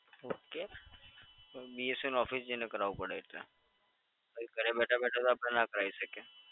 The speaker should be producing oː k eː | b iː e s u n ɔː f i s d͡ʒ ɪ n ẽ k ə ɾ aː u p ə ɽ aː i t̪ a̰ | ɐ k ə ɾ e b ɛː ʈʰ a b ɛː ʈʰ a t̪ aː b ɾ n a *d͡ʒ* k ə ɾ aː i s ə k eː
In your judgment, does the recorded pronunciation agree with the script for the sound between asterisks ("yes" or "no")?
no